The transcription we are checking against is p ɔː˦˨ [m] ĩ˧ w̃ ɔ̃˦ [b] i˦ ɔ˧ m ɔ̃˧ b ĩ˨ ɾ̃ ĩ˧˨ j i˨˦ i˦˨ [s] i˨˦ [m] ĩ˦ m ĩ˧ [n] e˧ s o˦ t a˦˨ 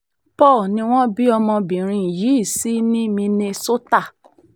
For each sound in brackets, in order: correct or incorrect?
incorrect: n, correct, correct, incorrect: n, correct

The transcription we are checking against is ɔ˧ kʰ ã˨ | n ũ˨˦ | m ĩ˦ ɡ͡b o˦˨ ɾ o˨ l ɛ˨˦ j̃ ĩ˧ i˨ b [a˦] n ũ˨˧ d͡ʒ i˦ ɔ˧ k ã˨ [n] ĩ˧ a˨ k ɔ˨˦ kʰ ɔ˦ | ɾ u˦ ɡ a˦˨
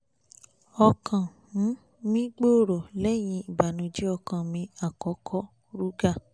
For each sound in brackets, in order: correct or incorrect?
incorrect: a˨, incorrect: m

